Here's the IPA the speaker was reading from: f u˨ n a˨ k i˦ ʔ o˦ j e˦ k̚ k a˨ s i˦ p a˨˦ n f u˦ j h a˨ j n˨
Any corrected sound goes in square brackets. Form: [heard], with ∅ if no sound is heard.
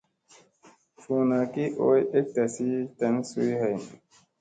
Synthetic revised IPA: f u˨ n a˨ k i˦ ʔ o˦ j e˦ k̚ [t] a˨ s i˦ [t] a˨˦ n [s] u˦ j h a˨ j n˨